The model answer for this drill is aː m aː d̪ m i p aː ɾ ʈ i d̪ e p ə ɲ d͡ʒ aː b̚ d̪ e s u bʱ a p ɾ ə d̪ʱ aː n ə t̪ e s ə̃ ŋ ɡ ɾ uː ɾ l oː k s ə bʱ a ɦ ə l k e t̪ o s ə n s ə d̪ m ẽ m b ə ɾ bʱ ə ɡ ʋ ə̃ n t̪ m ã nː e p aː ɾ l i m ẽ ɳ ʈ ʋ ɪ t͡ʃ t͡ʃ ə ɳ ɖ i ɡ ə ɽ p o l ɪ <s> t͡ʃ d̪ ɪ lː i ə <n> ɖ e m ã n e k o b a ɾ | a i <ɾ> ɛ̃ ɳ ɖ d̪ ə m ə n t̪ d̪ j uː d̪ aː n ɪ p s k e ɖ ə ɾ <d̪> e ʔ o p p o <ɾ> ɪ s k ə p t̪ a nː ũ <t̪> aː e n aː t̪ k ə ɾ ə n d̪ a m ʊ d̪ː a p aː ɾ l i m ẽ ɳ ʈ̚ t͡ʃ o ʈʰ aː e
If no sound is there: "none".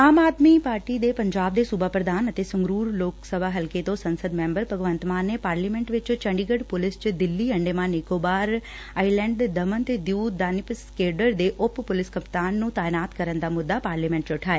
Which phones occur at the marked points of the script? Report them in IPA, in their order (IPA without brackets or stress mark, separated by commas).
s, ɳ, l, d̪, l, t̪